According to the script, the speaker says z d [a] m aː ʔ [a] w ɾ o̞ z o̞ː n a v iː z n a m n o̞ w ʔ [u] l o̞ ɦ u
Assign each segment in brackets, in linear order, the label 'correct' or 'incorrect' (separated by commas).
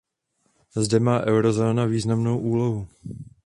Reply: incorrect, incorrect, incorrect